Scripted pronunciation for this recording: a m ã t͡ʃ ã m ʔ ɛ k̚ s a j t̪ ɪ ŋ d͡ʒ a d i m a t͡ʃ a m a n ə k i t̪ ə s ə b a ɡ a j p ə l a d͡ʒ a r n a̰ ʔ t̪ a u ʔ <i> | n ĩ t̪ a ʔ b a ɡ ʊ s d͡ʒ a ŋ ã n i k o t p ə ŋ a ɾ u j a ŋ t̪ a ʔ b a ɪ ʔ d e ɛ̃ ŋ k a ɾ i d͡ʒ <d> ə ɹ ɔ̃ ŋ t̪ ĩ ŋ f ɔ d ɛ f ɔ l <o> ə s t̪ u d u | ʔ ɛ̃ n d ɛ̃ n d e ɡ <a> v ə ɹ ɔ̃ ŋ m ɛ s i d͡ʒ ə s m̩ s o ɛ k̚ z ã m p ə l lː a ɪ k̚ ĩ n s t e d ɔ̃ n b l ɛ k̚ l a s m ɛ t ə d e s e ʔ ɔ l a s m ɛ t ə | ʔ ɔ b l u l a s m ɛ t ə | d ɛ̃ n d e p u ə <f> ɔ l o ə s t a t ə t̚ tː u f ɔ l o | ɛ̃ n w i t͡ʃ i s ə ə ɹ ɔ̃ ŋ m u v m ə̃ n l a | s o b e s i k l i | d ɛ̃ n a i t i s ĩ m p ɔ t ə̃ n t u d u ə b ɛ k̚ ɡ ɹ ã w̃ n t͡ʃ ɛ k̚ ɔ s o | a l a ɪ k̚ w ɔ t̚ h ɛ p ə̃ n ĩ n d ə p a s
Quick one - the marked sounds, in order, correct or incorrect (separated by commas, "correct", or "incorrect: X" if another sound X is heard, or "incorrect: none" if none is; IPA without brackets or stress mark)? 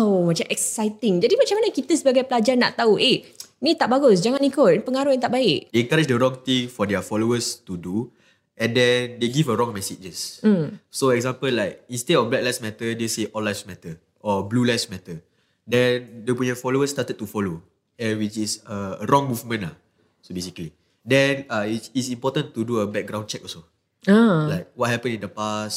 incorrect: e, correct, correct, incorrect: i, correct